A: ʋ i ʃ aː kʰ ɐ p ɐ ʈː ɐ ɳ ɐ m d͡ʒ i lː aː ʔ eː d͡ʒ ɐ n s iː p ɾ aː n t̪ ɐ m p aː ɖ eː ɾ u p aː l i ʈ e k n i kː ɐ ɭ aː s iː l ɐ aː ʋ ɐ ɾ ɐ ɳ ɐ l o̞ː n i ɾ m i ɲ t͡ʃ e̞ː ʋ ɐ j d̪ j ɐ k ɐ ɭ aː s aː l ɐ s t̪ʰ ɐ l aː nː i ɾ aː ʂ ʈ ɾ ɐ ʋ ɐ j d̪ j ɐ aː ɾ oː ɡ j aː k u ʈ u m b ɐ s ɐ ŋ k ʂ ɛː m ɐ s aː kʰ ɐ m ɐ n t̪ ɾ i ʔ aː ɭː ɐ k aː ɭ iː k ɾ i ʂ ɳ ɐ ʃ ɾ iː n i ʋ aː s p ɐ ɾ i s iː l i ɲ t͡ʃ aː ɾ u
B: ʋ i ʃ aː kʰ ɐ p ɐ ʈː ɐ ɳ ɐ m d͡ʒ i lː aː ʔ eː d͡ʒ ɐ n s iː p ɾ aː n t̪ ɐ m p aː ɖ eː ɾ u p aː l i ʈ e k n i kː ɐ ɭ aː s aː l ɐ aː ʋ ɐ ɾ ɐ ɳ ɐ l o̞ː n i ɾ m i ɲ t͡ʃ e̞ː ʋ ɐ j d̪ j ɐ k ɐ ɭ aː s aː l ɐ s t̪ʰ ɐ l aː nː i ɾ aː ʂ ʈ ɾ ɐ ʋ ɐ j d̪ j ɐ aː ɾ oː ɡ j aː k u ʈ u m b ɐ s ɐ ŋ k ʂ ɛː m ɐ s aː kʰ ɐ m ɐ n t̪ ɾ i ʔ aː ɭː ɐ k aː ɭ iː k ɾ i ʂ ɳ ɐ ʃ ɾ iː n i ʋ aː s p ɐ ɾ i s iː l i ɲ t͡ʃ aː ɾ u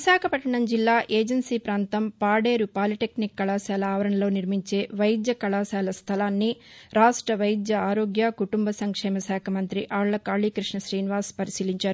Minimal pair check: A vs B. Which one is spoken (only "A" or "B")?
B